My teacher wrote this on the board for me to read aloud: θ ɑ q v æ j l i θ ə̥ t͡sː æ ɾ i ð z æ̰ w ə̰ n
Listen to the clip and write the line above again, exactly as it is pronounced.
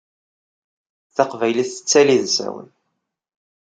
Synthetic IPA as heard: θ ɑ q v æ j l i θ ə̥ t͡sː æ l i ð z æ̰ w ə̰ n